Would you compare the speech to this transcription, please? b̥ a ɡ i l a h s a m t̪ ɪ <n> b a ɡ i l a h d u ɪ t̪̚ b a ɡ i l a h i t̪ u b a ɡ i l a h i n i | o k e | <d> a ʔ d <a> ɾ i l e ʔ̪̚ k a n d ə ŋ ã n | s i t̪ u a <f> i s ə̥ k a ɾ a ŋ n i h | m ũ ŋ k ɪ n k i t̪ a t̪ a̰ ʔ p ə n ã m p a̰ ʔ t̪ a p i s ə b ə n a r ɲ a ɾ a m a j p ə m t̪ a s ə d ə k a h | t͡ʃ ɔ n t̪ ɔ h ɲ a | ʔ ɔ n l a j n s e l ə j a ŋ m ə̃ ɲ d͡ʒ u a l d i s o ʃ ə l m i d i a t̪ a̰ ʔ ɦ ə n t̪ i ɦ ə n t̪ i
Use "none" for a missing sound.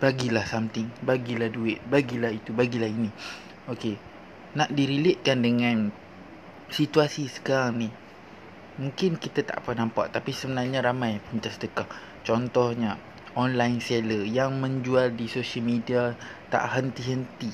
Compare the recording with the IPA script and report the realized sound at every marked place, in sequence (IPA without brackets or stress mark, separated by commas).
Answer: ŋ, n, i, s